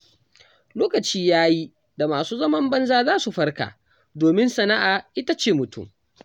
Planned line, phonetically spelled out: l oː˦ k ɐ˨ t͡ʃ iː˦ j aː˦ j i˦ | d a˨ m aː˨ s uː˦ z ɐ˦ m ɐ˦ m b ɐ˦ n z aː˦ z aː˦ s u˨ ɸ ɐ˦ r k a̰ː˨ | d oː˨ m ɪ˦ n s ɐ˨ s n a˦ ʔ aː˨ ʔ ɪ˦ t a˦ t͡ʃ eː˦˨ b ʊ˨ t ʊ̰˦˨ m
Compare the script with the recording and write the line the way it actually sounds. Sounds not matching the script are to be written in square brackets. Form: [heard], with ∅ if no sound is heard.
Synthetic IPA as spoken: l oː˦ k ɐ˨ t͡ʃ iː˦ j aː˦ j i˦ | d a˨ m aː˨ s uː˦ z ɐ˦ m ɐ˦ m b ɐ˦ n z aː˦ z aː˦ s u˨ ɸ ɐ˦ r k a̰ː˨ | d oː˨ m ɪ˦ n s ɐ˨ [∅] n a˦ ʔ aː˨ ʔ ɪ˦ t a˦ t͡ʃ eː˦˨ [m] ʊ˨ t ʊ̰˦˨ m

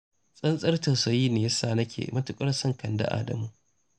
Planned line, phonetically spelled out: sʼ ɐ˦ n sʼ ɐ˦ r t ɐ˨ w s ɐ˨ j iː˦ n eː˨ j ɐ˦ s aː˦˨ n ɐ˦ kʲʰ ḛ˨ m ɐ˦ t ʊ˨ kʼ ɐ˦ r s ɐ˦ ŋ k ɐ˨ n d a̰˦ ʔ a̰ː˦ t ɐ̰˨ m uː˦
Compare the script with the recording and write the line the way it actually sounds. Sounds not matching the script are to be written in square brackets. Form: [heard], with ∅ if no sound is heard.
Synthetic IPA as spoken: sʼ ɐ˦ n sʼ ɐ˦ r t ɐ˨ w s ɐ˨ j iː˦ n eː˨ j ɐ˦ s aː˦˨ n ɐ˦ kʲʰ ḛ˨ m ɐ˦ t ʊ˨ kʼ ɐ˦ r s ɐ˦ ŋ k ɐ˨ n d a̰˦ ʔ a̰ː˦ [d] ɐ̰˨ m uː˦

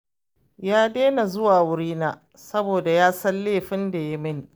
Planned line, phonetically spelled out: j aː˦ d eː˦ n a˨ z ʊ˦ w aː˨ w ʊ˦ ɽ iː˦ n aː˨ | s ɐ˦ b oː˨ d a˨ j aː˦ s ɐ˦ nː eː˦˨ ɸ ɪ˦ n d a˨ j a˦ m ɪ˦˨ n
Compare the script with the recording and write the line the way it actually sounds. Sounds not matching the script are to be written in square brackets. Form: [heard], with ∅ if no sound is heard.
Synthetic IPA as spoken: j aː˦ d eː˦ n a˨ z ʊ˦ w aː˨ w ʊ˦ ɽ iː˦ n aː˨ | s ɐ˦ b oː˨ d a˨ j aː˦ s ɐ˦ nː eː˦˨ ɸ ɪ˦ n d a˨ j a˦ m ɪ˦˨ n

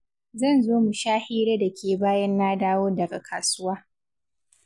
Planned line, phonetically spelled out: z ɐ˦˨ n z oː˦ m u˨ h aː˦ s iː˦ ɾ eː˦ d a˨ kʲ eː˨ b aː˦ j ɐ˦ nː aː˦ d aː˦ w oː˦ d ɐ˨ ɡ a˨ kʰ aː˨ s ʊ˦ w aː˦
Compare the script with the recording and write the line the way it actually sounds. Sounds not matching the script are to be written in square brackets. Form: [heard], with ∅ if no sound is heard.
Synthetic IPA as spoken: z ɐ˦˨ n z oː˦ m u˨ [ʃ] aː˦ [h] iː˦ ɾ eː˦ d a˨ kʲ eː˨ b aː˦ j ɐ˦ nː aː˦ d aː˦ w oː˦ d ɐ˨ ɡ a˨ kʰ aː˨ s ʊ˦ w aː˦

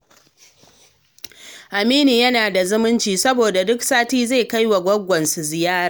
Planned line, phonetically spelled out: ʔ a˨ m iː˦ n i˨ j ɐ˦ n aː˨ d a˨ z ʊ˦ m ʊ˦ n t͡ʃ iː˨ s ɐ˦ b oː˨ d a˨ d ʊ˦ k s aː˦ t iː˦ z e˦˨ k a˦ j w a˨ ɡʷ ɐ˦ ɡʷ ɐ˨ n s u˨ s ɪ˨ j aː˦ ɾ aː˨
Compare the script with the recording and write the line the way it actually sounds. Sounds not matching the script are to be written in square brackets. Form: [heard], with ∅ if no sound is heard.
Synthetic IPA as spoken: ʔ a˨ m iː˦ n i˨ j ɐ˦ n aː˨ d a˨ z ʊ˦ m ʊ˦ n t͡ʃ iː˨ s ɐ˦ b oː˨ d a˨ d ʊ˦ k s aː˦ t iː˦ z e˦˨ k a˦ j w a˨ ɡʷ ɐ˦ ɡʷ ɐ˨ n s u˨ [z] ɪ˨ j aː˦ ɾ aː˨

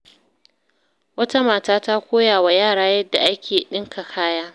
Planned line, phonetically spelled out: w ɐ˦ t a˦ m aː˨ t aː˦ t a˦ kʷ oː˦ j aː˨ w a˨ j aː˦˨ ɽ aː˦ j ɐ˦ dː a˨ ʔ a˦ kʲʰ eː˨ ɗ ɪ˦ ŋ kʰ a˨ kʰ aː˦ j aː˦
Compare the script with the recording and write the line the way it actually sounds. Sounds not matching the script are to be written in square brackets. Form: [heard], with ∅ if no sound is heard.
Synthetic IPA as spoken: w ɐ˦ t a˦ m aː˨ t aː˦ t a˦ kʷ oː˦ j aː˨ w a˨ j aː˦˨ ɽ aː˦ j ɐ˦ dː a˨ ʔ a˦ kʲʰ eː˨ ɗ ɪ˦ ŋ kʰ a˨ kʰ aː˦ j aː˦

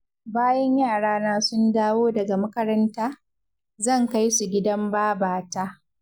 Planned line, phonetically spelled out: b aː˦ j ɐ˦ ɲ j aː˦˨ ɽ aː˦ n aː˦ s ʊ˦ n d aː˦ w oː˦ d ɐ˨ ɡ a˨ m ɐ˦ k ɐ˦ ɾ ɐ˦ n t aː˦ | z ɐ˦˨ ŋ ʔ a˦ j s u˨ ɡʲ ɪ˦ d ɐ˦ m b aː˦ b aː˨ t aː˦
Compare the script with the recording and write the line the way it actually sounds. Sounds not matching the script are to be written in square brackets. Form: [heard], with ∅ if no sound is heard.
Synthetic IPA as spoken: b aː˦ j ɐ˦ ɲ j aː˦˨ ɽ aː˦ n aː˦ s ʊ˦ n d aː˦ w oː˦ d ɐ˨ ɡ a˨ m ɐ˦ k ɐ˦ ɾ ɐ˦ n t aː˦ | z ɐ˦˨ ŋ [k] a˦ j s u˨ ɡʲ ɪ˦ d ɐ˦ m b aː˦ b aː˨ t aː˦

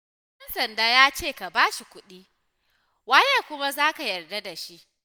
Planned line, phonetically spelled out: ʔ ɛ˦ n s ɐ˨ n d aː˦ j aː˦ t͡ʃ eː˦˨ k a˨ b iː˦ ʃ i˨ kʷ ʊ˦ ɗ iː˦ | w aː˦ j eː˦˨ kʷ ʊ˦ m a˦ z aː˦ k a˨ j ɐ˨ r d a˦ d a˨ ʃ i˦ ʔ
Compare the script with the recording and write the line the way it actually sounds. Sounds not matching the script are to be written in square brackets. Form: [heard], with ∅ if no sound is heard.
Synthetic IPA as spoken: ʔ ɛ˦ n s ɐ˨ n d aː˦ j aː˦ t͡ʃ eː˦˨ k a˨ b [aː˦] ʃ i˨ kʷ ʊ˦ ɗ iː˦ | w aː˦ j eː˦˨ kʷ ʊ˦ m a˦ z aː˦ k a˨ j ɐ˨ r d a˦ d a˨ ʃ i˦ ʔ

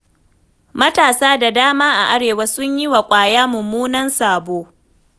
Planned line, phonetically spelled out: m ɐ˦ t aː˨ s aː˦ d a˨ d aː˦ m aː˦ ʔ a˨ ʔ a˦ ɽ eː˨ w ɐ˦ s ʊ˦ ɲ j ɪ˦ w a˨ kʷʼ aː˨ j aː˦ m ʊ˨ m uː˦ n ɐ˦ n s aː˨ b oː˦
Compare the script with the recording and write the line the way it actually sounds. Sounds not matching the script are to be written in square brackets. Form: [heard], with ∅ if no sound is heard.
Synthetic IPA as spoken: m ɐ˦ t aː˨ s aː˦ d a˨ d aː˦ m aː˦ ʔ a˨ ʔ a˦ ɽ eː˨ w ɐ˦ s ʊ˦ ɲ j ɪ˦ w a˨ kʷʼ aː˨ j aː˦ m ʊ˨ m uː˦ n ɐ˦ n s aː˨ b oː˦

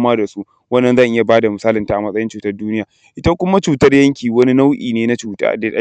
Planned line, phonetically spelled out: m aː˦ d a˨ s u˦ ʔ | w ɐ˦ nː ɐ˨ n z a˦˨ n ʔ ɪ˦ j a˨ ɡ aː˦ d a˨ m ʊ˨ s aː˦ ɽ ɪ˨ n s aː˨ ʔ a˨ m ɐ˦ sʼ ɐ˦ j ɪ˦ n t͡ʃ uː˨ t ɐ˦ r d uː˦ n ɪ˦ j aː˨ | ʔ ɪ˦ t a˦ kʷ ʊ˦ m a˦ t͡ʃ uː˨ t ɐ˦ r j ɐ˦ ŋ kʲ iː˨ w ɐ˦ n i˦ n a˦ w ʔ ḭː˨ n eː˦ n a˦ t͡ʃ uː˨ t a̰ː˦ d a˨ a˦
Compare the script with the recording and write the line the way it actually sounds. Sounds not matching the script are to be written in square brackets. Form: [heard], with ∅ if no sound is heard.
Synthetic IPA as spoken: m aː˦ d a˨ s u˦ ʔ | w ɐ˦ nː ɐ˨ n z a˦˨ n ʔ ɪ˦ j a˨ [b] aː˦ d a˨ m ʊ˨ s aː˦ [l] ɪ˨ n [t] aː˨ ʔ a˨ m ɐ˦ sʼ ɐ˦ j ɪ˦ n t͡ʃ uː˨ t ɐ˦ r d uː˦ n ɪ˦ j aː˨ | ʔ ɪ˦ t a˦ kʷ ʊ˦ m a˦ t͡ʃ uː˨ t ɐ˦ r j ɐ˦ ŋ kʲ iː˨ w ɐ˦ n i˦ n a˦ w ʔ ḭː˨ n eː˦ n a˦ t͡ʃ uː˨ t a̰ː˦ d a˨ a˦

